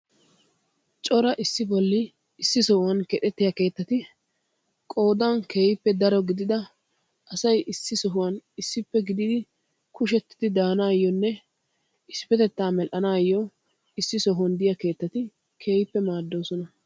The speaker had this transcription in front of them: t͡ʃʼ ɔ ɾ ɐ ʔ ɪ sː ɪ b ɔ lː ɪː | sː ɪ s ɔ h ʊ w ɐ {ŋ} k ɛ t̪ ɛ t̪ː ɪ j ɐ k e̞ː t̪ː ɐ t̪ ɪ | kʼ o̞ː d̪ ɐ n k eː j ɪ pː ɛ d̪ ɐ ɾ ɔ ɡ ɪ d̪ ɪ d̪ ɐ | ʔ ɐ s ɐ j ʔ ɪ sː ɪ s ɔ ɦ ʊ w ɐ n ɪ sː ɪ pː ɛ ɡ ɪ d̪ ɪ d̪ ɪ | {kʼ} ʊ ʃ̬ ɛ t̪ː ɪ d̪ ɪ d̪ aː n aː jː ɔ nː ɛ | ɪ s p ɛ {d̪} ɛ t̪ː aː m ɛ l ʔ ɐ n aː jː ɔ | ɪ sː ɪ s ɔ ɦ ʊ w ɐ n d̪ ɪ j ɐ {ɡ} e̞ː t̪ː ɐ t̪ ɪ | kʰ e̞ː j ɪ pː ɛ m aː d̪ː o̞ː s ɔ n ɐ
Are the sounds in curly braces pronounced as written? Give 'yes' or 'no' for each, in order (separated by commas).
no, no, no, no